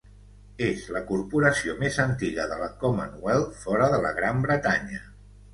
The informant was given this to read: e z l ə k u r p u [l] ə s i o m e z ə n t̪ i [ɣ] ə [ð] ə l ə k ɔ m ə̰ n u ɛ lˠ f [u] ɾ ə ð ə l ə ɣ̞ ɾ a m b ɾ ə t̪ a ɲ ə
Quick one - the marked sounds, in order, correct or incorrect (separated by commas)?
incorrect, correct, correct, incorrect